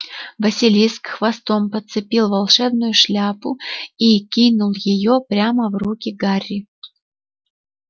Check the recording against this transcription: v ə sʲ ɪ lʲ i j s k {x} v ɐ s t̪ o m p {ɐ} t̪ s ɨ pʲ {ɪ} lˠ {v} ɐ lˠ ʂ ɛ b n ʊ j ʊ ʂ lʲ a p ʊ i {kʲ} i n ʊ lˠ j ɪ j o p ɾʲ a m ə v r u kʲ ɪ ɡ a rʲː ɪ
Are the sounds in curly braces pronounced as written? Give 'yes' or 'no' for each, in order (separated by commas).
yes, no, no, yes, yes